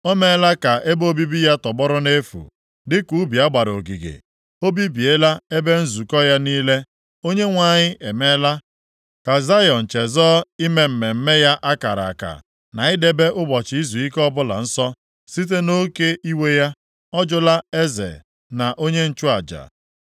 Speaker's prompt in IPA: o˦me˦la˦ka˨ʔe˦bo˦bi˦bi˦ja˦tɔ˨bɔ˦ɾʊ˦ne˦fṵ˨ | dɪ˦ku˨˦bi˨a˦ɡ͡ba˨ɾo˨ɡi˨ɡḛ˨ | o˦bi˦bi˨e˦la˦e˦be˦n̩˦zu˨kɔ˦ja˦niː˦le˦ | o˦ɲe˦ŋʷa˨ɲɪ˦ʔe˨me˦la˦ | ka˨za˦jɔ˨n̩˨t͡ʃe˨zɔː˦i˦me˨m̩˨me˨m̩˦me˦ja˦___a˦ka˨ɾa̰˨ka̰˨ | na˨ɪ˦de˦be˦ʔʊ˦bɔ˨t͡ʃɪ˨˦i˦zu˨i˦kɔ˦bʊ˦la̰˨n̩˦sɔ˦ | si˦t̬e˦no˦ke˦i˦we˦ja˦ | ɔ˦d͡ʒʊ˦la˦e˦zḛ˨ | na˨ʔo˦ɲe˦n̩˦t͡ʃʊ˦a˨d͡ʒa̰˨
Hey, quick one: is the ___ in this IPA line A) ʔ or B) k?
A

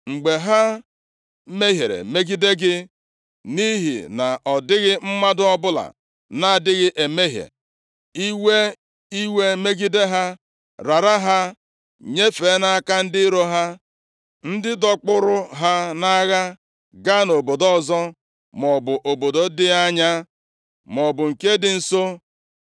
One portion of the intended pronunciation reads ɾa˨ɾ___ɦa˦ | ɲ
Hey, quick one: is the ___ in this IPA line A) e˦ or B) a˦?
B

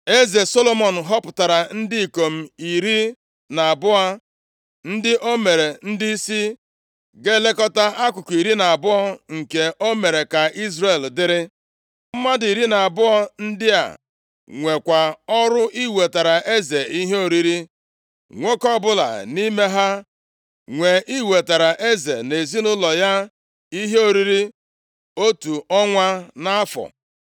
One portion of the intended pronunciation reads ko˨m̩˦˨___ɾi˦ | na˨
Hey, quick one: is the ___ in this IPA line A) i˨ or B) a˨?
A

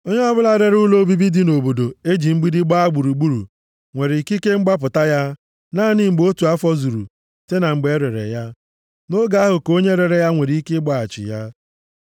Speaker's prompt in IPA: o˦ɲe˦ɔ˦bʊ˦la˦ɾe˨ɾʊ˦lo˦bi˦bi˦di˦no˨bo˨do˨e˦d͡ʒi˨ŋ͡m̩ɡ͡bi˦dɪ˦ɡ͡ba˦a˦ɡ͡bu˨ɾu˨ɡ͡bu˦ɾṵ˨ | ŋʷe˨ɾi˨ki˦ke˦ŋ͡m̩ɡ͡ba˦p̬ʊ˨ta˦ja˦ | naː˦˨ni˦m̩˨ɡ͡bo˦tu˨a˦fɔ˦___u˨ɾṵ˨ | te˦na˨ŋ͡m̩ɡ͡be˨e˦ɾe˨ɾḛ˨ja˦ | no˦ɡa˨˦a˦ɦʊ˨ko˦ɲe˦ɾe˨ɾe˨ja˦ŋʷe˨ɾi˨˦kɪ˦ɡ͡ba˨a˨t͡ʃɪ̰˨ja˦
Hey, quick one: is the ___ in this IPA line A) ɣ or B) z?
B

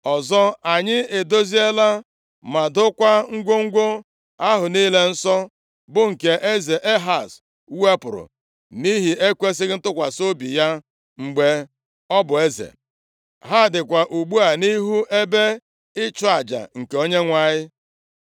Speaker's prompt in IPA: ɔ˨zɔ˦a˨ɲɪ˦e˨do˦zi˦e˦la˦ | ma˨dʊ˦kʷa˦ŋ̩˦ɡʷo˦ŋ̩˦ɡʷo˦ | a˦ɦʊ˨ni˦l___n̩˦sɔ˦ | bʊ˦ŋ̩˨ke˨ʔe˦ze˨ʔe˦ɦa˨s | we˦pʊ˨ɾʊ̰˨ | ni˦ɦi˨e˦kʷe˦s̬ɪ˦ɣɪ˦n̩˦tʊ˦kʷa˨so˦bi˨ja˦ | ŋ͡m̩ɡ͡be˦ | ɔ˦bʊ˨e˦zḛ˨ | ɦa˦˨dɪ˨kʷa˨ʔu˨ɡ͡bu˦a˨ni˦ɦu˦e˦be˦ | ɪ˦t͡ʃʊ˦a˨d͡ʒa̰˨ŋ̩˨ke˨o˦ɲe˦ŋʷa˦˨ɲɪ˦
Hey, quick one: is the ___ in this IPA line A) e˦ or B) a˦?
A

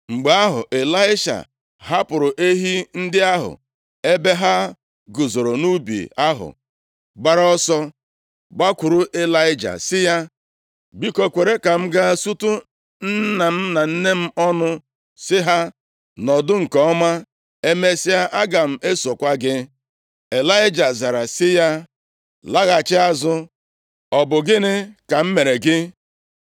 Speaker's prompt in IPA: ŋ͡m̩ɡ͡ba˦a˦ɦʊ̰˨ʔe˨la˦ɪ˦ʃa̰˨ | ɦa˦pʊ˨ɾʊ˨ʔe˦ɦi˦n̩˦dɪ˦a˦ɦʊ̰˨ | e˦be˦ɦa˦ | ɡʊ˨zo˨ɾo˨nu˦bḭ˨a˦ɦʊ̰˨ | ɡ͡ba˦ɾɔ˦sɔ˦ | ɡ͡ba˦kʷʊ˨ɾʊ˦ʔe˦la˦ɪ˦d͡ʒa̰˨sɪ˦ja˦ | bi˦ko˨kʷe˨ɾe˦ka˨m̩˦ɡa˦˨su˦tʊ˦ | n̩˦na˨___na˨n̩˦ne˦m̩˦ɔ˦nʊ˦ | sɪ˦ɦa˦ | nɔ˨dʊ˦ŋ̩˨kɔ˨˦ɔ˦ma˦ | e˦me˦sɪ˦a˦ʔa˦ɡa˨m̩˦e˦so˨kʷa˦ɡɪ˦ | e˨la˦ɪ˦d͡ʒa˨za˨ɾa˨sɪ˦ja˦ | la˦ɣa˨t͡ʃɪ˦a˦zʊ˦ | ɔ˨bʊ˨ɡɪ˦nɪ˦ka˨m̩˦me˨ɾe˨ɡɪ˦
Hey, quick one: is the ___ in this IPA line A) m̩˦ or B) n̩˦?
A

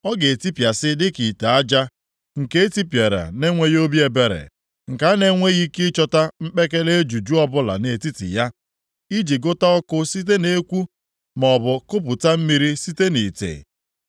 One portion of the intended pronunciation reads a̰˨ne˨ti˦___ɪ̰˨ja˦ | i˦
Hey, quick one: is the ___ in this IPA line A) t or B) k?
A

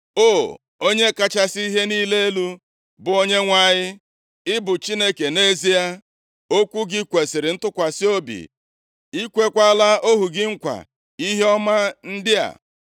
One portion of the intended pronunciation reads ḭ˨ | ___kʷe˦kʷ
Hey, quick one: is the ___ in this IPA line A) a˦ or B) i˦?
B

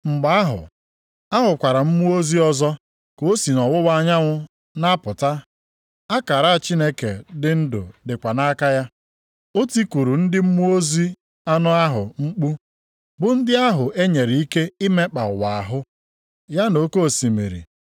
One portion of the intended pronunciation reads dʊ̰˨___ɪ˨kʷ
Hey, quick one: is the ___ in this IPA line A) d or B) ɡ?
A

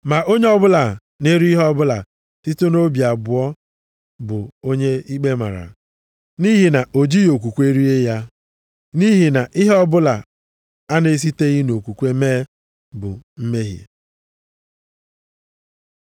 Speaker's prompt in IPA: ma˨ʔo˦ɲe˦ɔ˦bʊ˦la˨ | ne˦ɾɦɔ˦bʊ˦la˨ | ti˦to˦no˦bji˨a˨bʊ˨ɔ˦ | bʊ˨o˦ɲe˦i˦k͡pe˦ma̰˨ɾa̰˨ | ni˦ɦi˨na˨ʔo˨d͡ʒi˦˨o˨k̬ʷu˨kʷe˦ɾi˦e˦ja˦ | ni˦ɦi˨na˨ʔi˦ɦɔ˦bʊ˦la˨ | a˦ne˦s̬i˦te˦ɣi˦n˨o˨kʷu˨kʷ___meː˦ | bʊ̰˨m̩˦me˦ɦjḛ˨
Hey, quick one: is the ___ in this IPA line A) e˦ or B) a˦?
A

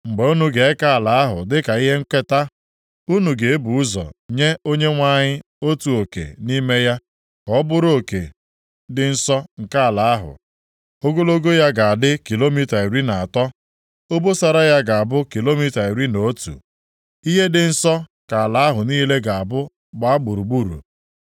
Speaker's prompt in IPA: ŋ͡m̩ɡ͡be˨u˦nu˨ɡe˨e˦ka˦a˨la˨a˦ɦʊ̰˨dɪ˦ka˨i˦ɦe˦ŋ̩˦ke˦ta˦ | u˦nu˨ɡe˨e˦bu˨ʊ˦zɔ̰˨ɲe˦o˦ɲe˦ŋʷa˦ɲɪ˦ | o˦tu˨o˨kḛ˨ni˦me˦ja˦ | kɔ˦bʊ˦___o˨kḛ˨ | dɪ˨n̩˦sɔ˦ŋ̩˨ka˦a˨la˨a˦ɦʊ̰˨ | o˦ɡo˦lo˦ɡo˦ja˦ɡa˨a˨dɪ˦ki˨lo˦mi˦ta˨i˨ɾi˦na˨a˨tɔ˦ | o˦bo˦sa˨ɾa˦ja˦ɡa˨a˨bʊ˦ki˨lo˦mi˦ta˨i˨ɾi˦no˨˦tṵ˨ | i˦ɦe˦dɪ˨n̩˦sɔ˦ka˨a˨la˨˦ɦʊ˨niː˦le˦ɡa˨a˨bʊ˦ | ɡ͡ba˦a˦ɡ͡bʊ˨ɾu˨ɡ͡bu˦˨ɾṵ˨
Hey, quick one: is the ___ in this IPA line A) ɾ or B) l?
A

